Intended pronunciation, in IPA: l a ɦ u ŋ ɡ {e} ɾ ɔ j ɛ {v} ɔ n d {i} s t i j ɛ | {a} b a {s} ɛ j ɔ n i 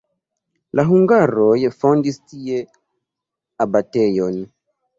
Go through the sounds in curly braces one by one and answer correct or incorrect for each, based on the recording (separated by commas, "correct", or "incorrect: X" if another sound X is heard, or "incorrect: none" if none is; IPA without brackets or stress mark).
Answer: incorrect: a, incorrect: f, correct, correct, incorrect: t